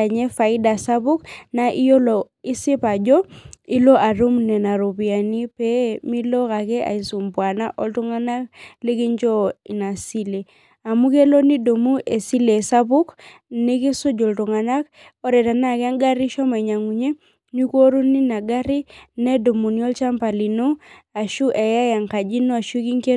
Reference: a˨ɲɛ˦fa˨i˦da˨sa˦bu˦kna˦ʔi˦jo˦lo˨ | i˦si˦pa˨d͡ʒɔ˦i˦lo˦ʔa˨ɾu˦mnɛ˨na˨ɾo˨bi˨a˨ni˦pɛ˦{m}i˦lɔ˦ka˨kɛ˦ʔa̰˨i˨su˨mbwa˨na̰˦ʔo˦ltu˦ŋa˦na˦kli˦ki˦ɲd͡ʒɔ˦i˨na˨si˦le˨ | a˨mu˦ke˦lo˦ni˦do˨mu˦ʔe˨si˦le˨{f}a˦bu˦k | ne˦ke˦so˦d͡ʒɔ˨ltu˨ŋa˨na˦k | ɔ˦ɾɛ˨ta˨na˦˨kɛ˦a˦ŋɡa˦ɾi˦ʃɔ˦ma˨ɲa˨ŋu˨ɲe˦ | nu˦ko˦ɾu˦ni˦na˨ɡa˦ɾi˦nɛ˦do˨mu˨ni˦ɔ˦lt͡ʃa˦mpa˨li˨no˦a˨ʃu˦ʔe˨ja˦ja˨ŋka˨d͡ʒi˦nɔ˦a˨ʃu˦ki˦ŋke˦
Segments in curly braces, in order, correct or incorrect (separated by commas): correct, incorrect